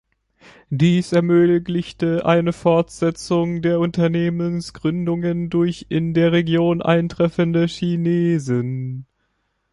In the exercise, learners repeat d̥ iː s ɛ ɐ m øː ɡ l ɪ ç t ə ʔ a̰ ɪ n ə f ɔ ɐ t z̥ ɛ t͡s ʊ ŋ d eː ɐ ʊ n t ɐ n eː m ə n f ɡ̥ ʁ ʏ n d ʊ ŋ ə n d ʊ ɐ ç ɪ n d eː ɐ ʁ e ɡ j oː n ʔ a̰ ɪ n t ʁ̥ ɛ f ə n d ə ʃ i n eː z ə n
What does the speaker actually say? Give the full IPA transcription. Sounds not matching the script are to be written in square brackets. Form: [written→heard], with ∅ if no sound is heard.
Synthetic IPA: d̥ iː s ɛ ɐ m øː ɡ l ɪ ç t ə ʔ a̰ ɪ n ə f ɔ ɐ t z̥ ɛ t͡s ʊ ŋ d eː ɐ ʊ n t ɐ n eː m ə n [f→s] ɡ̥ ʁ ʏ n d ʊ ŋ ə n d ʊ ɐ ç ɪ n d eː ɐ ʁ e ɡ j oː n ʔ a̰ ɪ n t ʁ̥ ɛ f ə n d ə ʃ i n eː z ə n